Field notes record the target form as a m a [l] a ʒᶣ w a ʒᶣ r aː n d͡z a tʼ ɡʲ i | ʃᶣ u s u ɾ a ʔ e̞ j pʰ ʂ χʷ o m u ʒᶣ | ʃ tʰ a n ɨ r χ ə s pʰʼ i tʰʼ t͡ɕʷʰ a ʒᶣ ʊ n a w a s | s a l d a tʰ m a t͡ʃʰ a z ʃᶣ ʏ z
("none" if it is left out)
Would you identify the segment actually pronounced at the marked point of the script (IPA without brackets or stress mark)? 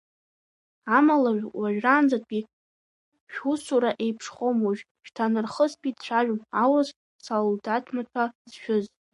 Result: l